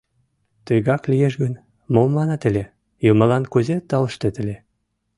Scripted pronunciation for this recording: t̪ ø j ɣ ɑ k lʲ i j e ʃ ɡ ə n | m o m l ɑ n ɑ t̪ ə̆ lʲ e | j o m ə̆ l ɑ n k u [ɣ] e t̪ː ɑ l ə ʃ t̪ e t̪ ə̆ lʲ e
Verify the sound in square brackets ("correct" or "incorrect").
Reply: incorrect